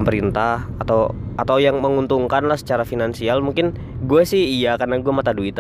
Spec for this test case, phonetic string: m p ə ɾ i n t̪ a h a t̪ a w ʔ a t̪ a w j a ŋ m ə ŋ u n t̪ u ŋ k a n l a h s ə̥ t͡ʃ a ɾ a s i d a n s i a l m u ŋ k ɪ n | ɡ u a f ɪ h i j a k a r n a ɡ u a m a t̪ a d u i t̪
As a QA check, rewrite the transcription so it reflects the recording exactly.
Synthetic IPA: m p ə ɾ i n t̪ a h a t̪ a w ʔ a t̪ a w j a ŋ m ə ŋ u n t̪ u ŋ k a n l a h s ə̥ t͡ʃ a ɾ a f i n a n s i a l m u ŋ k ɪ n | ɡ u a s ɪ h i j a k a r n a ɡ u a m a t̪ a d u i t̪